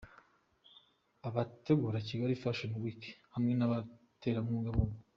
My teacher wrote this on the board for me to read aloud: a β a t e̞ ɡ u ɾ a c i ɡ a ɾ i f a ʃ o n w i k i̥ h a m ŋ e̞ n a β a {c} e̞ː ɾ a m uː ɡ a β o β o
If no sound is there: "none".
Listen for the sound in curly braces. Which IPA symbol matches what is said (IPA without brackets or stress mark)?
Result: t